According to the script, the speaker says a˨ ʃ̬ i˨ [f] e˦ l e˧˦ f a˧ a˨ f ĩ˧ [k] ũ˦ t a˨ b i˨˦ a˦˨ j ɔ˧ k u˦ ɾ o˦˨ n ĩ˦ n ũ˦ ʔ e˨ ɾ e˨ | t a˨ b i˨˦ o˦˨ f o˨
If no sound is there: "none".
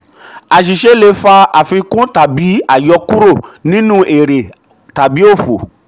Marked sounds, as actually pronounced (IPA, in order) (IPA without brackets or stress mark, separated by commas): ʃ, k